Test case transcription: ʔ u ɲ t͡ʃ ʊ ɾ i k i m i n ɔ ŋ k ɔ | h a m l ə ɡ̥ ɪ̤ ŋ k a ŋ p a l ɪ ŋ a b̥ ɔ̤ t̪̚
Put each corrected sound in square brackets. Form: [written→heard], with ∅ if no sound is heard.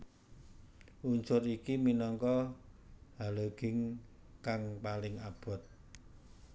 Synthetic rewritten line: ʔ u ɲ t͡ʃ ʊ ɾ i k i m i n ɔ ŋ k ɔ | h a [m→∅] l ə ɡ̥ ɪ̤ ŋ k a ŋ p a l ɪ ŋ a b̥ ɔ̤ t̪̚